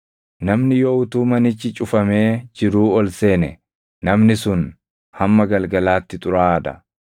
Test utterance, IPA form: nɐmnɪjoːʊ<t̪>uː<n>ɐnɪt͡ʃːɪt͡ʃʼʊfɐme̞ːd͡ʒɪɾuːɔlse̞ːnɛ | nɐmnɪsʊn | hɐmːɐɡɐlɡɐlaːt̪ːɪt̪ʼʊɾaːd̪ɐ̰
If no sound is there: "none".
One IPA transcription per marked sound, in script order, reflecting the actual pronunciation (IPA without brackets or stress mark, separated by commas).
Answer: t̪, m